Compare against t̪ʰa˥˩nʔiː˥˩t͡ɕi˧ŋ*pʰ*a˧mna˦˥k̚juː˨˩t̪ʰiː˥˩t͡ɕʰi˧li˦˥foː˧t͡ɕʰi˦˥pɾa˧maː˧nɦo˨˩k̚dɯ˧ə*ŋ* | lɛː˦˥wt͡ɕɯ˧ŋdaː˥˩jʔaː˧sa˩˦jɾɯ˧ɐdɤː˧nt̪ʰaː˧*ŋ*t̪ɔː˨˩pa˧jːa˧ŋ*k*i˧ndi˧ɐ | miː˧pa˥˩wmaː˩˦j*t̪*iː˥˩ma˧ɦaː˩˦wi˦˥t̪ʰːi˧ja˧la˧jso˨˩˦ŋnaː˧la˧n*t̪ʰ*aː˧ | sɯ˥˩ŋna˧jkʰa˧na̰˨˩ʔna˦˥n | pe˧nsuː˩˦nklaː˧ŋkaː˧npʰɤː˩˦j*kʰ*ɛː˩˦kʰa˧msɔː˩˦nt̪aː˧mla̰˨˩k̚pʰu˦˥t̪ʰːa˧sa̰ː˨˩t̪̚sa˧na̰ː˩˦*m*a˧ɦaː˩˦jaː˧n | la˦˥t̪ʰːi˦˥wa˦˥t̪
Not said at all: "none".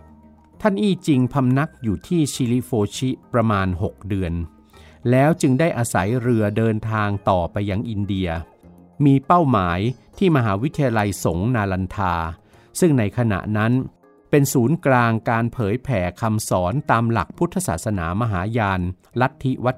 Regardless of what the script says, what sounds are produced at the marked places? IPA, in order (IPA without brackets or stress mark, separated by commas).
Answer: pʰ, n, ŋ, ʔ, t̪ʰ, t̪ʰ, pʰ, m